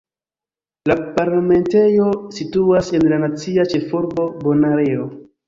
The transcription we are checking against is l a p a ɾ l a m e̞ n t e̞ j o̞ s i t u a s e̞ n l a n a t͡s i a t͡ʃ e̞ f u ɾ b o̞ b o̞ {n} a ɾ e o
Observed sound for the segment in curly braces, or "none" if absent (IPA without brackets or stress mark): n